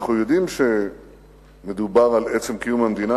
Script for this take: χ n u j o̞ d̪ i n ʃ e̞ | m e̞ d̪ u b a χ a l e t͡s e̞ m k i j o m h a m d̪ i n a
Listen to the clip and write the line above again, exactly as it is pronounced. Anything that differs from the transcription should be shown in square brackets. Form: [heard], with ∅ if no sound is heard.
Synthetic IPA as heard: χ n u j o̞ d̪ i [m] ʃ e̞ | m e̞ d̪ u b a [ʁ] a l e t͡s e̞ m k i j [u] m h a m d̪ i n a